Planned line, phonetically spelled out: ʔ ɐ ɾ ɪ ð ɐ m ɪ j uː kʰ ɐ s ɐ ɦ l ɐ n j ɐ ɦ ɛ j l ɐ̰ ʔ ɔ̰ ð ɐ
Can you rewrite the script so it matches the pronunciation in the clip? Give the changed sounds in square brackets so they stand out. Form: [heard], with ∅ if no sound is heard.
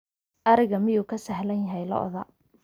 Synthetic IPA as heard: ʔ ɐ ɾ ɪ [ɣ] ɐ m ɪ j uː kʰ ɐ s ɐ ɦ l ɐ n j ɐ ɦ ɛ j l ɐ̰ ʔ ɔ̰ ð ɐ